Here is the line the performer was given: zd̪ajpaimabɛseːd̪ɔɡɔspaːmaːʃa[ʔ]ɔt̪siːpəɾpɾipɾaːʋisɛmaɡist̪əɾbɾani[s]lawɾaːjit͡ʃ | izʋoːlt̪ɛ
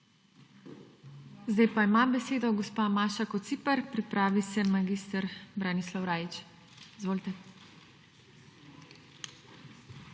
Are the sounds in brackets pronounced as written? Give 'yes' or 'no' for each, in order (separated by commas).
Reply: no, yes